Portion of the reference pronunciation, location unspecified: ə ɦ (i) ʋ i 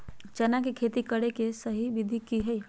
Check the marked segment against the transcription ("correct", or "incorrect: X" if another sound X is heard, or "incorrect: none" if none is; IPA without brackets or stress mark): correct